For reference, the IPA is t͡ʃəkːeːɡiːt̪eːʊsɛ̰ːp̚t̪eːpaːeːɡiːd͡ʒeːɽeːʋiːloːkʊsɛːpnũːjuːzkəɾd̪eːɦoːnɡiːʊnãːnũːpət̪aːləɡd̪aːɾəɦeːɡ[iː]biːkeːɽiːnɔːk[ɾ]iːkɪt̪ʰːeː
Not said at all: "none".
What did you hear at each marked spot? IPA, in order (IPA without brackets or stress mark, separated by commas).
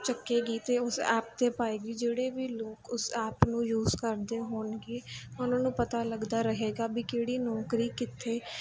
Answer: aː, ɾ